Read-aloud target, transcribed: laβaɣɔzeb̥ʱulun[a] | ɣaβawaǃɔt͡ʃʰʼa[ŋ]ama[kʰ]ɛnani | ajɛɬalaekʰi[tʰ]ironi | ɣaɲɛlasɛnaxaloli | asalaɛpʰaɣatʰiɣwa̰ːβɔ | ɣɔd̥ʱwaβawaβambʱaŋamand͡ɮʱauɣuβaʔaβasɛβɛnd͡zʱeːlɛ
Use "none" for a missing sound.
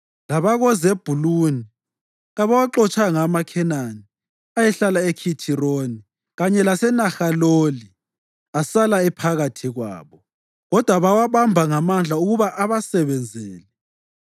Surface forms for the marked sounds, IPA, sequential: i, ŋ, kʰ, tʰ

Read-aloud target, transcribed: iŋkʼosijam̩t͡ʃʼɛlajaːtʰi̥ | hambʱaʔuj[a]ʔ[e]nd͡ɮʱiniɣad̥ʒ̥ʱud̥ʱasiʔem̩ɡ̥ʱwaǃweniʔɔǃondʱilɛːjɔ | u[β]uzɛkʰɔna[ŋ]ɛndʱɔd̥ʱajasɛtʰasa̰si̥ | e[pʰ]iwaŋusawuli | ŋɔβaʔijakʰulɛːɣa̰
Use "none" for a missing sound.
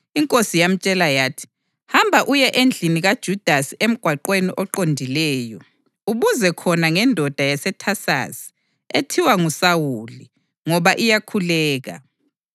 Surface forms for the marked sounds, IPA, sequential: ɛ, e, β, ŋ, tʰ

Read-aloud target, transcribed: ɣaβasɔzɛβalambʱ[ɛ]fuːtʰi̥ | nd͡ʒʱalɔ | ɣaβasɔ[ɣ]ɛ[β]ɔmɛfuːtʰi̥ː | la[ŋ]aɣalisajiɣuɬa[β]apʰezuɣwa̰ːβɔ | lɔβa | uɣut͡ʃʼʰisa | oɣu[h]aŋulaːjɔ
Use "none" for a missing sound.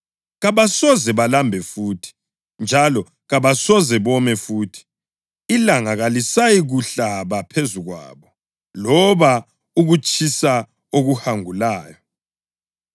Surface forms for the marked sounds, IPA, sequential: ɛ, z, β, ŋ, β, h

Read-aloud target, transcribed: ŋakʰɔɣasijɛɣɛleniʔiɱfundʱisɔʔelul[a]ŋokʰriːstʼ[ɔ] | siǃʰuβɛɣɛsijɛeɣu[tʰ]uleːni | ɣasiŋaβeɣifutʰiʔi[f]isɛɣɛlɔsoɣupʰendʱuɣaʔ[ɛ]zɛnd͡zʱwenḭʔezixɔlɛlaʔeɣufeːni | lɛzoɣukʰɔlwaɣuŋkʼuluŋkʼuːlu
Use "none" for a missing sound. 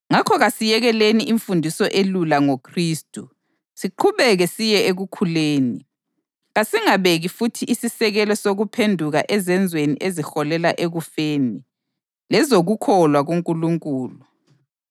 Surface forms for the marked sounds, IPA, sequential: a, u, kʰ, s, ɛ

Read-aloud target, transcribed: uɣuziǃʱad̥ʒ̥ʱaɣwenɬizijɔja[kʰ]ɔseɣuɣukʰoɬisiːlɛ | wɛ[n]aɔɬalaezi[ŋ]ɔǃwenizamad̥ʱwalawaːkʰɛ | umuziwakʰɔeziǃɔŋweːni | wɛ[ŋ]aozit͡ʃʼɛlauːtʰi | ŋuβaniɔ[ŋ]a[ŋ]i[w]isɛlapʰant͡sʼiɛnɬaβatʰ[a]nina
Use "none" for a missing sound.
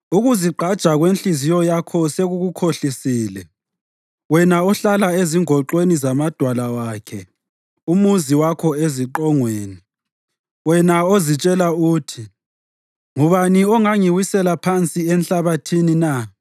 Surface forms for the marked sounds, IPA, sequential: kʰ, n, ŋ, n, ŋ, ŋ, w, i

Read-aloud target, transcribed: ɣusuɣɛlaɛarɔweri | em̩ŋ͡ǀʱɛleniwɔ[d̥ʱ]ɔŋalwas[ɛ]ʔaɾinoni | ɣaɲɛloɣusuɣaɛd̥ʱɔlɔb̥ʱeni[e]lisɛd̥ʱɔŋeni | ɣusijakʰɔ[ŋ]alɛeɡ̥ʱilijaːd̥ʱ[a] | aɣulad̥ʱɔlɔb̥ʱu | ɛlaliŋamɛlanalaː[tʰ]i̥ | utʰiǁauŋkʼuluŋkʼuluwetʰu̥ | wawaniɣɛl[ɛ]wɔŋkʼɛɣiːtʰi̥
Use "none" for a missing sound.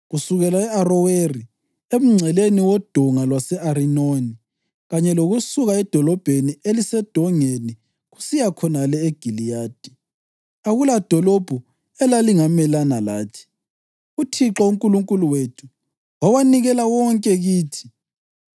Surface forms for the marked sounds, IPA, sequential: d̥ʱ, ɛ, e, n, i, tʰ, a

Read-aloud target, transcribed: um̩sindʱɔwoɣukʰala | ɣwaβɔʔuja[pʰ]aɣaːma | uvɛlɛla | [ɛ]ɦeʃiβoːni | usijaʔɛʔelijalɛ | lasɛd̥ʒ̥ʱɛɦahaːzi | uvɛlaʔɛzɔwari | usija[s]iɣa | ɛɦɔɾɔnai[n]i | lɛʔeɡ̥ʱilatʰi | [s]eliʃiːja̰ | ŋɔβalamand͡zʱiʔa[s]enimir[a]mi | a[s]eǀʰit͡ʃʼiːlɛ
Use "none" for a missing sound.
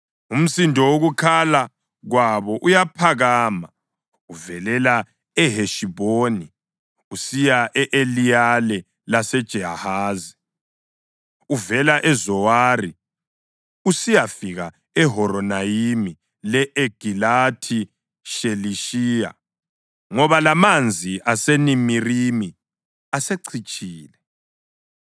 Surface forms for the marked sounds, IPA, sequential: pʰ, ɛ, f, m, ʃ, s, i, s

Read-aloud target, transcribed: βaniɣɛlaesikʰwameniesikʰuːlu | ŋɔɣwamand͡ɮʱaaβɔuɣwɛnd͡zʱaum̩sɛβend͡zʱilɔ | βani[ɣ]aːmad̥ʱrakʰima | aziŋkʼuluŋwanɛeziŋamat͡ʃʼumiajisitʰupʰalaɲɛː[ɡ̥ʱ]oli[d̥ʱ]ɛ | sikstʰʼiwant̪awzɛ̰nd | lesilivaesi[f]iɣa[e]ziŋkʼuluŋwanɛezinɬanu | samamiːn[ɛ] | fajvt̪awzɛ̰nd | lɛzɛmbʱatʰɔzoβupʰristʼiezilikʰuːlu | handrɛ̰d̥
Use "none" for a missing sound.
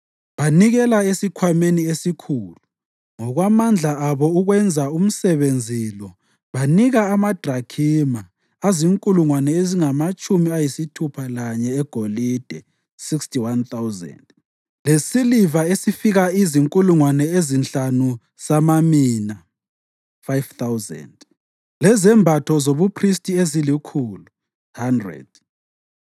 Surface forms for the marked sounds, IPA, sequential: ɣ, ɡ̥ʱ, d̥ʱ, f, i, a

